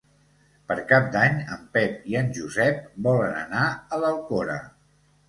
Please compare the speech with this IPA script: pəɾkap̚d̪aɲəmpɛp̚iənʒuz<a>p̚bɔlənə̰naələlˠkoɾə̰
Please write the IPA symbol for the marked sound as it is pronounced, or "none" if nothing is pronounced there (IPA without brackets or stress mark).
ɛ